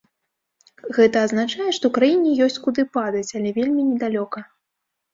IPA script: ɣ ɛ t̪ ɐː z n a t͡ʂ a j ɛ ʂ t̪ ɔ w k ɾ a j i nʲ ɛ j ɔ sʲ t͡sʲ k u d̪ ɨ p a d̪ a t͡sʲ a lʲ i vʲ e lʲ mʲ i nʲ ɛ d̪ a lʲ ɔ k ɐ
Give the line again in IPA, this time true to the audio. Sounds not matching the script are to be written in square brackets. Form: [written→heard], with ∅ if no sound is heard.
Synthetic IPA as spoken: ɣ ɛ t̪ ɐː z n a t͡ʂ a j ɛ ʂ t̪ ɔ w k ɾ a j i nʲ ɛ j ɔ sʲ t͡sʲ k u d̪ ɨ p a d̪ [a→ɐ] t͡sʲ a lʲ [i→ɛ] vʲ e lʲ mʲ i nʲ ɛ d̪ a lʲ ɔ k ɐ